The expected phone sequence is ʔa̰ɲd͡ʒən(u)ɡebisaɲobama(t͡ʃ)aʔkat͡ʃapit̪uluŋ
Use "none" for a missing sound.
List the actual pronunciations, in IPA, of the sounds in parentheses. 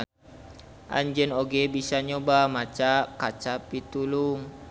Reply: o, t͡ʃ

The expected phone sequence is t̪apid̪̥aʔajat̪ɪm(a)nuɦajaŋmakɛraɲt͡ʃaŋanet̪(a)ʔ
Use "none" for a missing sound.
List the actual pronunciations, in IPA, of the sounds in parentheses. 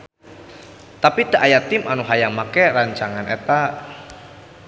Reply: a, a

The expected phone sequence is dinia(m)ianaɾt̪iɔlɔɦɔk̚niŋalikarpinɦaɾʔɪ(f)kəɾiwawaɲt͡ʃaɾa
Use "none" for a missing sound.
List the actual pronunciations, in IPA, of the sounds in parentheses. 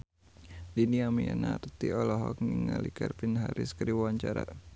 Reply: m, s

